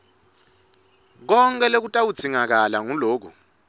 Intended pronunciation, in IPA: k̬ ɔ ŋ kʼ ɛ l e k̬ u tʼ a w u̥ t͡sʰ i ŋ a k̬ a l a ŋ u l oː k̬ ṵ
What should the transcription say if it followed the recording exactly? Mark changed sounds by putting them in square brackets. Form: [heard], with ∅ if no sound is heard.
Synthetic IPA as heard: k̬ ɔ ŋ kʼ ɛ l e k̬ u tʼ a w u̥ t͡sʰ i ŋ a k̬ a l a ŋ u l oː k̬ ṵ